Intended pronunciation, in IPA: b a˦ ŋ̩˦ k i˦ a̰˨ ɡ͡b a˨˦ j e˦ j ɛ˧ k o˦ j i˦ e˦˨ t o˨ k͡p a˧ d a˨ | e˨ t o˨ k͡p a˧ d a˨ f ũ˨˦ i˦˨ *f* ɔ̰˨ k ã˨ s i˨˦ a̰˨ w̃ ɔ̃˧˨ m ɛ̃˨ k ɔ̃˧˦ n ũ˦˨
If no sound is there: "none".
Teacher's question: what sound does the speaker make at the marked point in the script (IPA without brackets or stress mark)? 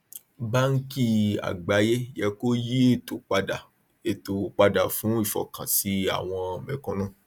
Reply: f